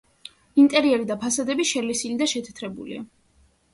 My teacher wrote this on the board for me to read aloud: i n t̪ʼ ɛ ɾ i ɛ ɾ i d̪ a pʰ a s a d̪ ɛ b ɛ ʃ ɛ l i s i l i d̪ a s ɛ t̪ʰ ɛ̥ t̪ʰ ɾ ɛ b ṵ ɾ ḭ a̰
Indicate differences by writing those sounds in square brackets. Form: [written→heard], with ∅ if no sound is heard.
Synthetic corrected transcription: i n t̪ʼ ɛ ɾ i ɛ ɾ i d̪ a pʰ a s a d̪ ɛ b [ɛ→i] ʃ ɛ l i s i l i d̪ a [s→ʃ] ɛ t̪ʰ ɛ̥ t̪ʰ ɾ ɛ b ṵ [ɾ→l] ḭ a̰